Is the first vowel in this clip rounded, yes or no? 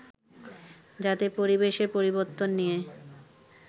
no